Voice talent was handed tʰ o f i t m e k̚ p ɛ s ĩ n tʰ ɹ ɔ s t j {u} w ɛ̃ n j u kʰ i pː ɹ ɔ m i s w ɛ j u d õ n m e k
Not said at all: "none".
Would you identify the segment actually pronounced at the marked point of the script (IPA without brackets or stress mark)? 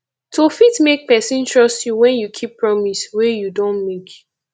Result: u